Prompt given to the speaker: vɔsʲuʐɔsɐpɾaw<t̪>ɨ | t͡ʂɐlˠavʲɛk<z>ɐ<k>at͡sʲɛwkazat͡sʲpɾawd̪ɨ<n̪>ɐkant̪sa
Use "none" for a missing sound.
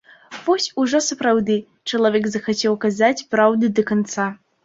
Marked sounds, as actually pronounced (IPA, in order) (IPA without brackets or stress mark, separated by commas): d̪, z, x, d̪